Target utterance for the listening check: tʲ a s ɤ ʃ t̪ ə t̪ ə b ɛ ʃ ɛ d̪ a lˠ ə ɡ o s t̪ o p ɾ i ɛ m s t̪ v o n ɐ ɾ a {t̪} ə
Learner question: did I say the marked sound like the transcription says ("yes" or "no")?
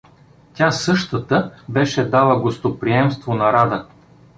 no